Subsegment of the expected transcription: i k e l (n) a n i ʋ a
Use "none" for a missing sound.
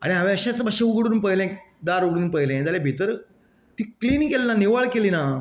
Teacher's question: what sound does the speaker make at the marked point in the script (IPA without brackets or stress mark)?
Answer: n